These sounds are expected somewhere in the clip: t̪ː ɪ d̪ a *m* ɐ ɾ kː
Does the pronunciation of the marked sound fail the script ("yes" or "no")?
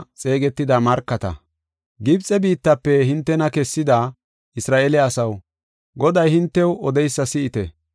no